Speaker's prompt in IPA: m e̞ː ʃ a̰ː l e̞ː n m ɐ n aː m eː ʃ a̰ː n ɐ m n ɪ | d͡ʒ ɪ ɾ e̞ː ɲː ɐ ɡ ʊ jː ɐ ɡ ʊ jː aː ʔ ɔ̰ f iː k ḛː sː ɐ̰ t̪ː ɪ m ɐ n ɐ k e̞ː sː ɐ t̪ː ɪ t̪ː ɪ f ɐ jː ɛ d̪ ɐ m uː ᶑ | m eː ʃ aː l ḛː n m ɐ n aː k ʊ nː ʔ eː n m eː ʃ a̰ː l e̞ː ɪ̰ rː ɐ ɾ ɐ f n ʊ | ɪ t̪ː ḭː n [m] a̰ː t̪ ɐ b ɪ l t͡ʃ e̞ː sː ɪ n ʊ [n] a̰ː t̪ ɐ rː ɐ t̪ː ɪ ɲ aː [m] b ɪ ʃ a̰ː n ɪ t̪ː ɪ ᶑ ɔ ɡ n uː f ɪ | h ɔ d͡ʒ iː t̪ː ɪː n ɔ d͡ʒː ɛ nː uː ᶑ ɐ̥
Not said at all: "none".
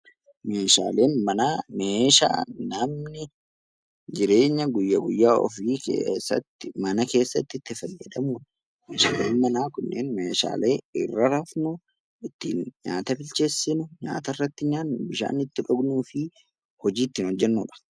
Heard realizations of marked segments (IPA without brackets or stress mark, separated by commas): ɲ, ɲ, n